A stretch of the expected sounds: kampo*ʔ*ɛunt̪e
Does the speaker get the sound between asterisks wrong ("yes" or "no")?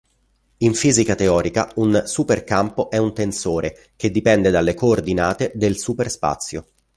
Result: no